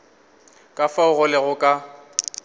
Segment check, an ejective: present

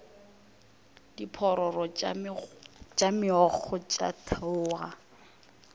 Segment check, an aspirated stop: present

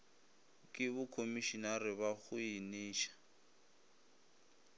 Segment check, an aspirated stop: present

